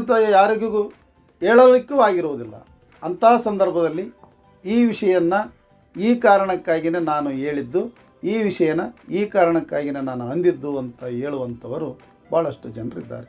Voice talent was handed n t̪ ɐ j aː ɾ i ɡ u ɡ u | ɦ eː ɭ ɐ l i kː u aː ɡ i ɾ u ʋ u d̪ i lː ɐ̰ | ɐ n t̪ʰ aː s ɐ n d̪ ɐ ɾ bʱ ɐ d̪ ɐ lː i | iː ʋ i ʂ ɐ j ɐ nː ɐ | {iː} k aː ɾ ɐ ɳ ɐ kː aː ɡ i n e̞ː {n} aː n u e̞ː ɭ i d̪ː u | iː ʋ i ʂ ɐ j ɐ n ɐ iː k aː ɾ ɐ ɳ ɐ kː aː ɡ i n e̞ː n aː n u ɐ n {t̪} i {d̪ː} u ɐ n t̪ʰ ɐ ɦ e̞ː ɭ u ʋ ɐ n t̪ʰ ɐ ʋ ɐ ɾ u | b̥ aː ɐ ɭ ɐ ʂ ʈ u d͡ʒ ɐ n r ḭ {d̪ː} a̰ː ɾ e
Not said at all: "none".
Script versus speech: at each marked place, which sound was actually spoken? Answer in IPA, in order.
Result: iː, n, d̪, d̪ː, d̪ː

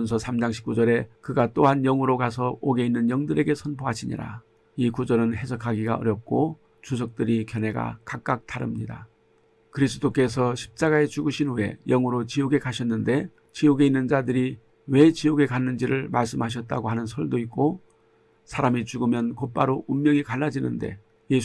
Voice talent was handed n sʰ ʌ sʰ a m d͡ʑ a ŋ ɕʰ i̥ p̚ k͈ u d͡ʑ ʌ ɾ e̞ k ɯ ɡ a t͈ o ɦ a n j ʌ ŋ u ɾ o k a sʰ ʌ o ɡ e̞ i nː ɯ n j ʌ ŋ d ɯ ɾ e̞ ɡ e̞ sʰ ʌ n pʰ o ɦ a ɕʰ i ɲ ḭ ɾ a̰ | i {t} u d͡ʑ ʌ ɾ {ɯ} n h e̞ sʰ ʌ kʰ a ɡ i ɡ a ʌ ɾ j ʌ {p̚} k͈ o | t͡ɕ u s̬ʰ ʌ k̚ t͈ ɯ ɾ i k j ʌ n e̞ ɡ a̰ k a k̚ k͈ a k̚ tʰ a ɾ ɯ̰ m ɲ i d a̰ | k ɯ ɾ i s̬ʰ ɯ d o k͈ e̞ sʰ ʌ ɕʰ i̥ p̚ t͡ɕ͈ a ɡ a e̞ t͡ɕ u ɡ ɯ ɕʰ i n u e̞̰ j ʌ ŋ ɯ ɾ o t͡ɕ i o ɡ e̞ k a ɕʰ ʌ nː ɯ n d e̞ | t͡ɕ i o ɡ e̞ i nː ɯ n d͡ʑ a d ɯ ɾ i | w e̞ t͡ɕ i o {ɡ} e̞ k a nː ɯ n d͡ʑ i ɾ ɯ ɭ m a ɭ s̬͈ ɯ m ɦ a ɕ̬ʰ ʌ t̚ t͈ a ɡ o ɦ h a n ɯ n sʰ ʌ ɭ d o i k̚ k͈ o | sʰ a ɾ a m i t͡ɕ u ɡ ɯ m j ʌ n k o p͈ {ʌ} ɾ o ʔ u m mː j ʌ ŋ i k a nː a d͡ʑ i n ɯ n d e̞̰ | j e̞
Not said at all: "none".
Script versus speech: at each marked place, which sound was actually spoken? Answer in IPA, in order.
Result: k, ɯ, p̚, ɡ, a

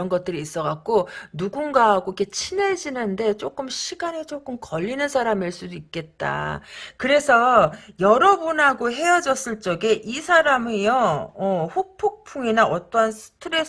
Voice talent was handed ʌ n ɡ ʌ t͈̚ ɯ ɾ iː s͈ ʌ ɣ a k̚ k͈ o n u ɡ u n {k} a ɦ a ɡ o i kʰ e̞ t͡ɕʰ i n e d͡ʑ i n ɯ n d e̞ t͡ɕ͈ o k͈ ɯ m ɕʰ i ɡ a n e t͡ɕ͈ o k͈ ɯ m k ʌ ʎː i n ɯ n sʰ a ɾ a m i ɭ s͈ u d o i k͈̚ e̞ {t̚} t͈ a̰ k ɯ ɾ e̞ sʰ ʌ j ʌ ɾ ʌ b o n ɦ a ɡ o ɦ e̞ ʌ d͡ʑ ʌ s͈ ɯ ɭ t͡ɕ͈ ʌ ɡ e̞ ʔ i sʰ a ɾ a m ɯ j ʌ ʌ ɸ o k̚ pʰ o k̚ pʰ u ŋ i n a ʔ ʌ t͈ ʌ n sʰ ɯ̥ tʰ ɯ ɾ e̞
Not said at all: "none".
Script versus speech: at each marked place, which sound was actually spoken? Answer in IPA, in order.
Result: ɡ, t̚

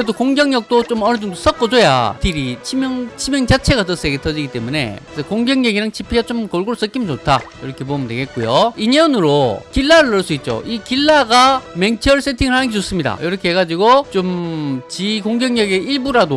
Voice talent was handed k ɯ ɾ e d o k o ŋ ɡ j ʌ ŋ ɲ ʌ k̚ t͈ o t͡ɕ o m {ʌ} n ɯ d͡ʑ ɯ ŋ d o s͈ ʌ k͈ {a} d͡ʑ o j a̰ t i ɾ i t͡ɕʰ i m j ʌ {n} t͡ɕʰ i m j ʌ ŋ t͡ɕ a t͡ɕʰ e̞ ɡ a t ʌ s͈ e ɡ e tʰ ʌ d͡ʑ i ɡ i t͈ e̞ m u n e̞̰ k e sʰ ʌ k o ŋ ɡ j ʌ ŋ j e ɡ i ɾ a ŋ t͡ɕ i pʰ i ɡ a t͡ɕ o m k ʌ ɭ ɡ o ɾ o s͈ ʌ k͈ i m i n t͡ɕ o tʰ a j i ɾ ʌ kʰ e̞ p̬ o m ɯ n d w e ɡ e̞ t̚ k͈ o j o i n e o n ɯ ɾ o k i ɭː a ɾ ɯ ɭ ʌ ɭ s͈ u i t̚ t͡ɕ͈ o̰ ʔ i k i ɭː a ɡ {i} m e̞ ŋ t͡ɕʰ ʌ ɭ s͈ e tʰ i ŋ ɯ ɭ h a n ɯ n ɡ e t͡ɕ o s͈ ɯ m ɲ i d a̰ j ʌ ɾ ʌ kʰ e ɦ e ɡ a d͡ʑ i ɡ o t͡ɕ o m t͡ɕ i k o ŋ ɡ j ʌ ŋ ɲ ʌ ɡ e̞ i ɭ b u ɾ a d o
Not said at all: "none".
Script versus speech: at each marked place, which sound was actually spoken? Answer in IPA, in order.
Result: ʌ, ʌ, ŋ, a

